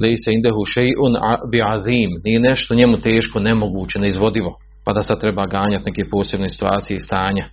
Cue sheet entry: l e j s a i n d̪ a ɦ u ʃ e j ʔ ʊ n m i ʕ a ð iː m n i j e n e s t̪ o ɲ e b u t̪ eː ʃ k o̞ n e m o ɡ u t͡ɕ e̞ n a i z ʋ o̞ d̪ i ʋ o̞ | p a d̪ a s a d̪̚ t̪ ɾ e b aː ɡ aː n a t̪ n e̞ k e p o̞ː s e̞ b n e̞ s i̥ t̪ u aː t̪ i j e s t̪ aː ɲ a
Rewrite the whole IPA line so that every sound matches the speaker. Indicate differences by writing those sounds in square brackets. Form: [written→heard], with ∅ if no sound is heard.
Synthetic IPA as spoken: l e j s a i n d̪ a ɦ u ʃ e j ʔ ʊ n [m→b] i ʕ a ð iː m n i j e n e [s→ʃ] t̪ o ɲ e [b→m] u t̪ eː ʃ k o̞ n e m o ɡ [u→uː] t͡ɕ e̞ n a i z ʋ o̞ d̪ i ʋ o̞ | p a d̪ a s a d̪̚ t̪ ɾ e b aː ɡ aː [n→ɲ] a t̪ n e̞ k e p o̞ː s e̞ b n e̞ s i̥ t̪ u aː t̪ i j e s t̪ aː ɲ a